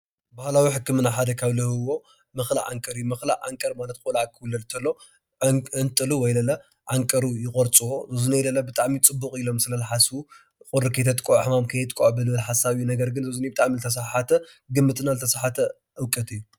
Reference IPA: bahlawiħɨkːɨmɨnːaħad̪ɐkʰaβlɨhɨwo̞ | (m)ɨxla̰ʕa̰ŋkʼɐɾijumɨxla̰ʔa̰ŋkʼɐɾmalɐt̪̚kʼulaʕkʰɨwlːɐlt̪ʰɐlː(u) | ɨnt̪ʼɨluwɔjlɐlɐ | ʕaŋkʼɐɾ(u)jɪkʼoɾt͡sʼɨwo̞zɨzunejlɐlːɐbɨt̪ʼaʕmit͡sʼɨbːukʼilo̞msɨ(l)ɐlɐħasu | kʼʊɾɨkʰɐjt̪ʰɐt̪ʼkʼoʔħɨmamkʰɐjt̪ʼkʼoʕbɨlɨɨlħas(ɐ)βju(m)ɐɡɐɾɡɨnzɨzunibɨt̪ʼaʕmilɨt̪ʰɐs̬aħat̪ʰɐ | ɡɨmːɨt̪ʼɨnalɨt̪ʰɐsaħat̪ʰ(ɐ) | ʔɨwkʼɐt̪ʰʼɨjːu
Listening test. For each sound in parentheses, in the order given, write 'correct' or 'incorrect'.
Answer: correct, incorrect, correct, correct, incorrect, incorrect, correct

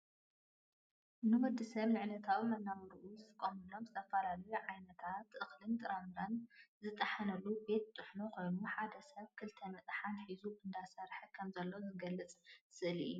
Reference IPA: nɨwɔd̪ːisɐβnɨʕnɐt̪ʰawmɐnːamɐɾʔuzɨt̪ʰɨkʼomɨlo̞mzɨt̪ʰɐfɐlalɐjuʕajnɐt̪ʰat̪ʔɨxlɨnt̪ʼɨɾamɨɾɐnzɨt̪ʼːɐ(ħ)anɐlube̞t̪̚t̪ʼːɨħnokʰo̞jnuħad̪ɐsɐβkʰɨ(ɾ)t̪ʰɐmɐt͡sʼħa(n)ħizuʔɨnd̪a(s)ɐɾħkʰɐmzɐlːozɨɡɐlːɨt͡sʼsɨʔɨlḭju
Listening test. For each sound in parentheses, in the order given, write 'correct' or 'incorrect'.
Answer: correct, incorrect, correct, correct

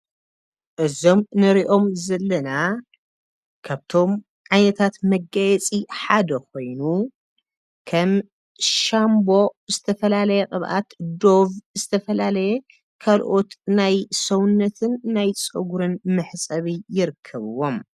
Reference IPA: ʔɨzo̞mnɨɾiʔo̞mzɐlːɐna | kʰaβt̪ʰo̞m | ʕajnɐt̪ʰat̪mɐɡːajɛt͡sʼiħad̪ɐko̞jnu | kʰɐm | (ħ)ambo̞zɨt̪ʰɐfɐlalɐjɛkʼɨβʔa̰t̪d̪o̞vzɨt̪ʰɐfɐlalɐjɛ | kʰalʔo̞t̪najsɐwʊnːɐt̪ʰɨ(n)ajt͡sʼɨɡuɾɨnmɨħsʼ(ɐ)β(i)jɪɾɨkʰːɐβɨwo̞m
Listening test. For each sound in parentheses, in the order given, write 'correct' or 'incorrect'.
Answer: incorrect, incorrect, correct, correct

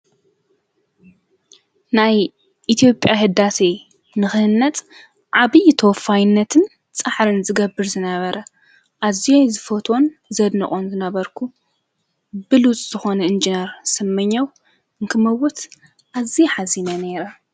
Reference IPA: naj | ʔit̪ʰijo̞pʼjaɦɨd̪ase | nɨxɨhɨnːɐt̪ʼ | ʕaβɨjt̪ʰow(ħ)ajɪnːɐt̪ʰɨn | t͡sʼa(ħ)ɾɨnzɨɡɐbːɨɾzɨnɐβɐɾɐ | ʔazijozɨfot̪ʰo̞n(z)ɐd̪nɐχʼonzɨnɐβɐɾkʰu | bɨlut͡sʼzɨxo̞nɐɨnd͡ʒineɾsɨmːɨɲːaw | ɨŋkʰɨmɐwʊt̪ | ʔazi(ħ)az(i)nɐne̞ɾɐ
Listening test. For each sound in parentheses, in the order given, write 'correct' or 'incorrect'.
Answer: incorrect, correct, correct, correct, correct

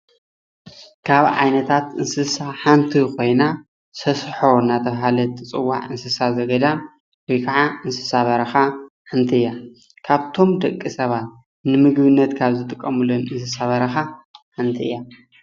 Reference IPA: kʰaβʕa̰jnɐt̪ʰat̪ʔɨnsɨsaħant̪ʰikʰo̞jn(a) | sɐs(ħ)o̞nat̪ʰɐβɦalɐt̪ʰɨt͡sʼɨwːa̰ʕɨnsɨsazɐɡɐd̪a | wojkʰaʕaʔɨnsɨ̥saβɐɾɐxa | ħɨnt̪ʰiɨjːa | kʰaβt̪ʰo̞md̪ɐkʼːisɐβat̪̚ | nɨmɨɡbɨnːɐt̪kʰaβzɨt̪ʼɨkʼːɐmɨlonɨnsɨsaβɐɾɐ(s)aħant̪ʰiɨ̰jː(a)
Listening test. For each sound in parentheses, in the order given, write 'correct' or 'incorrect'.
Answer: correct, correct, incorrect, correct

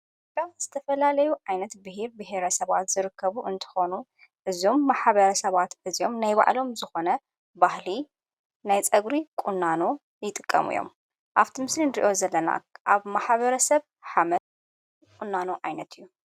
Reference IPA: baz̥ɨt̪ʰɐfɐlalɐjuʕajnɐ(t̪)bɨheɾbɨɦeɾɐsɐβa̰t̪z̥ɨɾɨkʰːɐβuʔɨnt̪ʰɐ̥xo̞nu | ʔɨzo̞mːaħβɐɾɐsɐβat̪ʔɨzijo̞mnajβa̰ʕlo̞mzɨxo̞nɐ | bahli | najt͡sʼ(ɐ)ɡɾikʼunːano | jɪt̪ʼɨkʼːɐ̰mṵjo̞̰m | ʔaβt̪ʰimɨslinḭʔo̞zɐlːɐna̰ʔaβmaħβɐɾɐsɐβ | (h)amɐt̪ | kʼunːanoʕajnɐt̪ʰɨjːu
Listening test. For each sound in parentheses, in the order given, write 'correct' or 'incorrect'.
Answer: correct, correct, incorrect

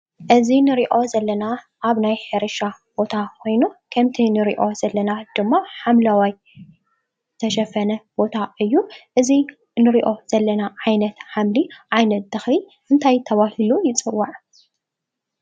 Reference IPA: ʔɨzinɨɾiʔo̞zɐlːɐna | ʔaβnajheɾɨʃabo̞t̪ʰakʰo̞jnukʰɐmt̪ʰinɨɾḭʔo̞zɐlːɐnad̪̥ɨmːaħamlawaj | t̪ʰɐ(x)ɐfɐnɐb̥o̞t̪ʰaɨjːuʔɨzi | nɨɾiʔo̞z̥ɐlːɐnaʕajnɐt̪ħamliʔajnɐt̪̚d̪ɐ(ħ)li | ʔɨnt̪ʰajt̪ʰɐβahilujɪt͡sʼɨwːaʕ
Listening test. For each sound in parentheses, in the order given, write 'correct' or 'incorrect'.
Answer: incorrect, incorrect

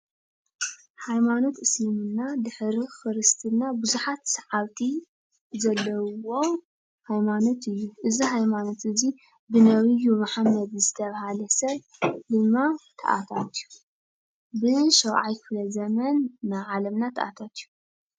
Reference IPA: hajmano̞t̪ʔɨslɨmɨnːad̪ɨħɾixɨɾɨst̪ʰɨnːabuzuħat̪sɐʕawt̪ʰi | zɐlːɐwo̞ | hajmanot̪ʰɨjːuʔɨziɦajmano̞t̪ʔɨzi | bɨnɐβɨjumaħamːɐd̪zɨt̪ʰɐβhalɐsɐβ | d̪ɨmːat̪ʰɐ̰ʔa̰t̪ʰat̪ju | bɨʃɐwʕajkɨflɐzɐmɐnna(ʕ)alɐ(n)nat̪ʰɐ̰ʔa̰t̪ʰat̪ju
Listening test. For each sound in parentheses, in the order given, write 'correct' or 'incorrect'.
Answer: correct, incorrect

